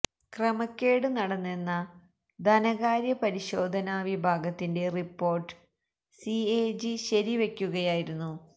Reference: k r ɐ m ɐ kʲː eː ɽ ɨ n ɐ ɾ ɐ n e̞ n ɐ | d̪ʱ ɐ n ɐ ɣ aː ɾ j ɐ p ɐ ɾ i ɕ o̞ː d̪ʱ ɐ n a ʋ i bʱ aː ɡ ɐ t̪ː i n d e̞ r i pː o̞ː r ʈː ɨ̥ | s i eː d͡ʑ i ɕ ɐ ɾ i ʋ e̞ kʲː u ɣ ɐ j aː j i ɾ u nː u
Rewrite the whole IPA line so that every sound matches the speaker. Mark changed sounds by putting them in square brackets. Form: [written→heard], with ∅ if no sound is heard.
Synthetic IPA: k r ɐ m ɐ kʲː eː ɽ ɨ n ɐ [ɾ→ɽ] ɐ [n→nː] e̞ [n→nː] ɐ | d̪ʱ ɐ n ɐ ɣ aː ɾ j ɐ p ɐ ɾ i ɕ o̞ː d̪ʱ ɐ n a ʋ i bʱ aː ɡ ɐ t̪ː i n d e̞ r i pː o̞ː r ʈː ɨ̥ | s i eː d͡ʑ i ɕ ɐ ɾ i ʋ e̞ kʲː u ɣ ɐ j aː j i ɾ u nː u